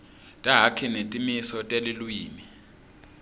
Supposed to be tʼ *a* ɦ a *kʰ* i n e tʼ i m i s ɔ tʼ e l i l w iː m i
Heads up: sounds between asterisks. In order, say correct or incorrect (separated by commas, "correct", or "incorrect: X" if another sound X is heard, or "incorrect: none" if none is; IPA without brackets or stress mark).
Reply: correct, correct